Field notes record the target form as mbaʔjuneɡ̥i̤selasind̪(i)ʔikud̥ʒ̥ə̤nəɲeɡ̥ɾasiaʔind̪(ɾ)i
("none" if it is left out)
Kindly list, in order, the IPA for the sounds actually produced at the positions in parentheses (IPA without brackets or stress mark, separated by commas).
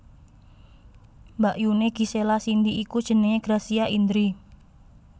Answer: i, ɾ